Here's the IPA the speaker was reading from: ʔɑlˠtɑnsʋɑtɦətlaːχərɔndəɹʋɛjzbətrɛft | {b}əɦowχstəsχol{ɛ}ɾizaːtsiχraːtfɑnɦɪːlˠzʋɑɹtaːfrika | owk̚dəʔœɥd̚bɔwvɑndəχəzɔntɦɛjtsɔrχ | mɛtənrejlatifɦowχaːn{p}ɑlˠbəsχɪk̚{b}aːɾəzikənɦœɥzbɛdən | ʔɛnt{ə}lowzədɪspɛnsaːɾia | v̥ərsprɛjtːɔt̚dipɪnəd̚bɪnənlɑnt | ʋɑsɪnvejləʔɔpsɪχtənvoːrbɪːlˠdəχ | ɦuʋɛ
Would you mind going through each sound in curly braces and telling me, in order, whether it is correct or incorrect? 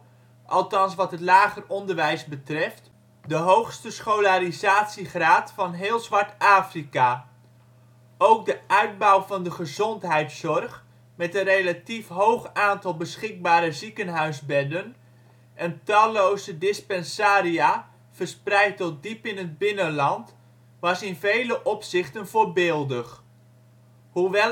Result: incorrect: d, incorrect: a, incorrect: t, correct, incorrect: ɑ

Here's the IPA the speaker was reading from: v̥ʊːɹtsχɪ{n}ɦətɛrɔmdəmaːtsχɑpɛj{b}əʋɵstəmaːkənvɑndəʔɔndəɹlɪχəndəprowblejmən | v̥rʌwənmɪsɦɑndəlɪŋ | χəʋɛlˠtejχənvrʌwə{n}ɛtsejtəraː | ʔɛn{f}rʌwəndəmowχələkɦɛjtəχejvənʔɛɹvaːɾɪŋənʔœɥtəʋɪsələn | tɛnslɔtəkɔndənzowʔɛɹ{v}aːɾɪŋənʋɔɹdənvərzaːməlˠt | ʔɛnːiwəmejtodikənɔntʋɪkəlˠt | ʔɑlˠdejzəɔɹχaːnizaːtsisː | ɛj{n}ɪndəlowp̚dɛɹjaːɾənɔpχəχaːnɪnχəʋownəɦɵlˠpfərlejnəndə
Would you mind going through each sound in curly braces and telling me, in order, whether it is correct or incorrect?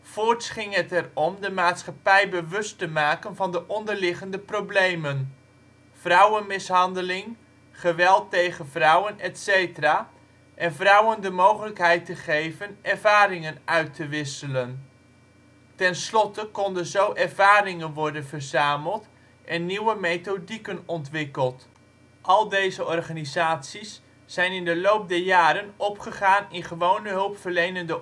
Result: incorrect: ŋ, correct, correct, incorrect: v, correct, correct

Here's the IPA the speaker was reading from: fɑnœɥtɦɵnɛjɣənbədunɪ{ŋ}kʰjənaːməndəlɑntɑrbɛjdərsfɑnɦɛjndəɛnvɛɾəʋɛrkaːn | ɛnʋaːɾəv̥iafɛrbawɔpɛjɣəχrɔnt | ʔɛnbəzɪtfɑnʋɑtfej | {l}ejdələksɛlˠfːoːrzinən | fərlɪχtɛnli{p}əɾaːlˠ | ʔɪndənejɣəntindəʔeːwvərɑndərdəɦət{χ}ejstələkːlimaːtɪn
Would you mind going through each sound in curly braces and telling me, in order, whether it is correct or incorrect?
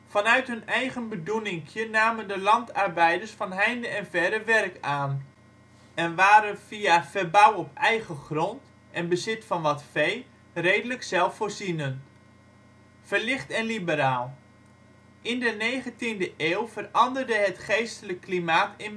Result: correct, incorrect: r, incorrect: b, correct

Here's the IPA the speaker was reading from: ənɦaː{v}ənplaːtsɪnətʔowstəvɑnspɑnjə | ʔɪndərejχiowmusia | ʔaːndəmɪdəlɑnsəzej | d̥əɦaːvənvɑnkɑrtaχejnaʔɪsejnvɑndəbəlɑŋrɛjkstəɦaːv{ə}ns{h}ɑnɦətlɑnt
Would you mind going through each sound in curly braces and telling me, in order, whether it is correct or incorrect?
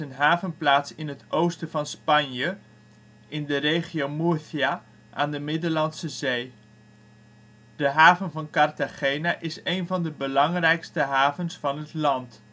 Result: correct, correct, incorrect: f

